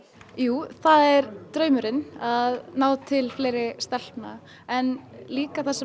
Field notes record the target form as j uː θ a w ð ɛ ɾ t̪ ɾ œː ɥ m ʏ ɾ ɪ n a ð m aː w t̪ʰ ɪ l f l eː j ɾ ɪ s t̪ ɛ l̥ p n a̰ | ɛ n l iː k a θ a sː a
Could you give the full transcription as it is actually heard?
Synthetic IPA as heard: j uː θ a ð ɛ ɾ t̪ ɾ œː ɥ m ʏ ɾ ɪ n a ð n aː w t̪ʰ ɪ l f l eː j ɾ ɪ s t̪ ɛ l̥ p n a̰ | ɛ n l iː k a θ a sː ɛ

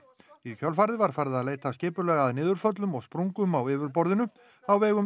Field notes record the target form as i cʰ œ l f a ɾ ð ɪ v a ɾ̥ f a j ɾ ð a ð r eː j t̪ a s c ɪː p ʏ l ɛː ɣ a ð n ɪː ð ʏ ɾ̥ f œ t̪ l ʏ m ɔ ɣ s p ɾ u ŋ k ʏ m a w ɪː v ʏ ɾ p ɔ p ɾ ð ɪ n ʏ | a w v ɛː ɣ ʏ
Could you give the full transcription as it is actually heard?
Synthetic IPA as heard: i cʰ œ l f a ɾ ð ɪ v a ɾ̥ f a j ɾ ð a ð l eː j t̪ a s c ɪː p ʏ l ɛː ɣ a ð n ɪː ð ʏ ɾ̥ f œ t̪ l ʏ m ɔ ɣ s p ɾ u ŋ k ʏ m a w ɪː v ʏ ɾ p ɔ ɾ ð ɪ n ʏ | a w v ɛː ɣ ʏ

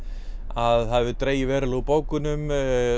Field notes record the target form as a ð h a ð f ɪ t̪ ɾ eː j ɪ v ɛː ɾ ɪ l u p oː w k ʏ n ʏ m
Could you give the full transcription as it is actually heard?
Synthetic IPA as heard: a ð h a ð v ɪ t̪ ɾ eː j ɪ v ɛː ɾ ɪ l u p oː w k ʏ n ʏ m

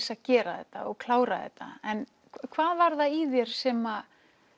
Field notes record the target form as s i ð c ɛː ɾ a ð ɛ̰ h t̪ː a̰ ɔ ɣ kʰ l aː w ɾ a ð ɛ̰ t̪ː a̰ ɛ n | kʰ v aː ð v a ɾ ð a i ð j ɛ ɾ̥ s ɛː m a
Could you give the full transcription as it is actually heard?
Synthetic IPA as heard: s a ð c ɛː ɾ a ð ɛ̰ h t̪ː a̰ ɔ ɣ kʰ l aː w ɾ a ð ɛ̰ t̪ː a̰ ɛ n | kʰ v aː ð v a ɾ ð a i ð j ɛ ɾ̥ s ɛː m a

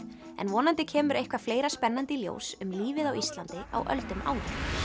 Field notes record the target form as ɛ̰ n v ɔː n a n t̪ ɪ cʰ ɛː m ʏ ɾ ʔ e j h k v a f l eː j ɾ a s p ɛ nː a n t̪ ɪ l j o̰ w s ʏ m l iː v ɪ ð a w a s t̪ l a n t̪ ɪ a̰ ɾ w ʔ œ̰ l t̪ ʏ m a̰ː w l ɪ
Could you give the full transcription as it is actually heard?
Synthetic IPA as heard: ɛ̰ n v ɔː n a n t̪ ɪ cʰ ɛː m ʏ ɾ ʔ e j h k v a f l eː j ɾ a s p ɛ nː a n t̪ ɪ l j o̰ w s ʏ m l iː v ɪ ð a w i s t̪ l a n t̪ ɪ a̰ w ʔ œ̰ l t̪ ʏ m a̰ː w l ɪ

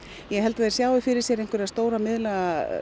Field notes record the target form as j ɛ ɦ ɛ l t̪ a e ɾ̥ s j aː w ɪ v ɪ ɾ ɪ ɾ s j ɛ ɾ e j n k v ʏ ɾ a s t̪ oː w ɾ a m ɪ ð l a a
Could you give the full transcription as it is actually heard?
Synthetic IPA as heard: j ɛ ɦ ɛ l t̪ a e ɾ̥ s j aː w ɪ f ɪ ɾ ɪ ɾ s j ɛ ɾ e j ŋ k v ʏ ɾ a s t̪ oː w ɾ a m ɪ ð l a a

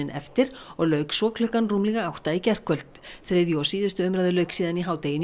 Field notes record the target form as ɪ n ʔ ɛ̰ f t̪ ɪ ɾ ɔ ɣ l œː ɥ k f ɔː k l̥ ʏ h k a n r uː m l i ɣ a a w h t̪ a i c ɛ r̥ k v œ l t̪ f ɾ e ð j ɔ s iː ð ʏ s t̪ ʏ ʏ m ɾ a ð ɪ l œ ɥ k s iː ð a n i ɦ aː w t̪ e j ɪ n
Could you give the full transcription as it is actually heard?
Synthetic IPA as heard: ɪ n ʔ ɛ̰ f t̪ ɪ ɾ ɔ ɣ l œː ɥ k s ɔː k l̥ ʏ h k a n r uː m l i ɣ a a w h t̪ a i c ɛ r̥ k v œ l t̪ θ ɾ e ð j ɔ s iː ð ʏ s t̪ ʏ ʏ m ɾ a ð ɪ l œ ɥ k s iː ð a n i ɦ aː w t̪ e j ɪ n

